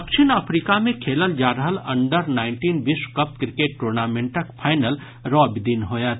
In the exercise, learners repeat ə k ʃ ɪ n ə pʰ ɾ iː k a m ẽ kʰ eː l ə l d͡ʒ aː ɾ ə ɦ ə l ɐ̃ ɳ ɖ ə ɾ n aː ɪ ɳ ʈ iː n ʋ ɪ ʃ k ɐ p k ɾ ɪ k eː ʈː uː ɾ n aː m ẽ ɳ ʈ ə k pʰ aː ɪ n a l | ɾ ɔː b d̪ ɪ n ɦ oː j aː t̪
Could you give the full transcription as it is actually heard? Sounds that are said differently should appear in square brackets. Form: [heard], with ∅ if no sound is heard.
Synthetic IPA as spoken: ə k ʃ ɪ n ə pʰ ɾ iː k a m ẽ kʰ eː l ə l d͡ʒ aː ɾ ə ɦ ə l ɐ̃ ɳ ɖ ə ɾ n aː ɪ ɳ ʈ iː n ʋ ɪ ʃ k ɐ p k ɾ ɪ k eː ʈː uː ɾ n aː m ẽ ɳ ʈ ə k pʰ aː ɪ n [ə] l | ɾ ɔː b d̪ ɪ n ɦ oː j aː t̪